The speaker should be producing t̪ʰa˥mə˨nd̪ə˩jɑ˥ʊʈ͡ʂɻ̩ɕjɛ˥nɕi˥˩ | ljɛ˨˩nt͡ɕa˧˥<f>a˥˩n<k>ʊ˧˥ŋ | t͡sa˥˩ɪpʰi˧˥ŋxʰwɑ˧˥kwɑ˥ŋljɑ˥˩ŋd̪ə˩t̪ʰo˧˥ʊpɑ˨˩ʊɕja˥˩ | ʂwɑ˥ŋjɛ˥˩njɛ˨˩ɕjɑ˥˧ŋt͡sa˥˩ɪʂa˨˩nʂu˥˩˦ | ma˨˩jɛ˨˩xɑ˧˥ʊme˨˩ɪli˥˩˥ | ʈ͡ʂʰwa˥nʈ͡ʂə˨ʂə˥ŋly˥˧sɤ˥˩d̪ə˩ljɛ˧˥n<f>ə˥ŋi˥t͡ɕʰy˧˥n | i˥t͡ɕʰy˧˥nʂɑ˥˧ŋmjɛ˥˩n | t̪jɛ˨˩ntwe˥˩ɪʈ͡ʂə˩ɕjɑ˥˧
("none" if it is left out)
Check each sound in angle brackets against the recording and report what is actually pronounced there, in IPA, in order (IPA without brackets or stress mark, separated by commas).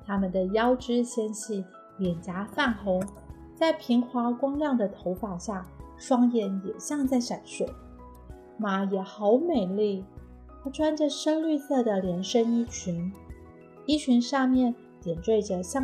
f, x, ʂ